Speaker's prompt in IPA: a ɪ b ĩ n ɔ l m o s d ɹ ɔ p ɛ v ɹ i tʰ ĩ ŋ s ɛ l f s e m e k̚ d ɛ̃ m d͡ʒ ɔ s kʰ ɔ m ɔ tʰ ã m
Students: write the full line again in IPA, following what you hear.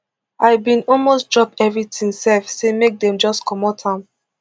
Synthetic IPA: a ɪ b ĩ n ɔ l m o s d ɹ ɔ p ɛ v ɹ i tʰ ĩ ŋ s ɛ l f s e m e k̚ d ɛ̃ m d͡ʒ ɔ s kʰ ɔ m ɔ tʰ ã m